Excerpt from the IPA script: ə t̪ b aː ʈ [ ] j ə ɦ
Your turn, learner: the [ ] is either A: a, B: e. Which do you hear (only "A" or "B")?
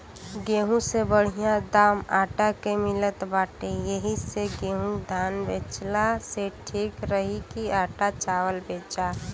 B